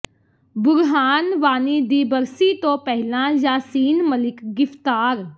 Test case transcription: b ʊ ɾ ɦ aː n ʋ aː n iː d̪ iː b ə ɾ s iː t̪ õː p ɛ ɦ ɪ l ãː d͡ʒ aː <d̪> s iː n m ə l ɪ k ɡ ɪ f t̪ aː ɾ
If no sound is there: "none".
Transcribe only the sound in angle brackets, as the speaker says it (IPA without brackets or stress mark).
none